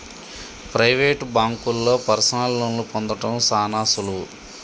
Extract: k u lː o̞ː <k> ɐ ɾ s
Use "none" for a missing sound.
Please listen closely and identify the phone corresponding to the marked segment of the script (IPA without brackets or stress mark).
p